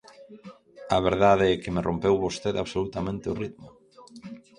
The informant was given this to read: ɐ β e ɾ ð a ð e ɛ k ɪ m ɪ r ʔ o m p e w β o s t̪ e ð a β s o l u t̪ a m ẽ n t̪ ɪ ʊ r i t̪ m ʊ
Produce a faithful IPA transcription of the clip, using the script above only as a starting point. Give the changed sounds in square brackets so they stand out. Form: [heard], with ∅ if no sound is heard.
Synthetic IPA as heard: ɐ β e ɾ ð a ð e ɛ k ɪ m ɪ r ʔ o m p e w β o s t̪ e ð a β s o l u t̪ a m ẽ n t̪ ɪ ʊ r i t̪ m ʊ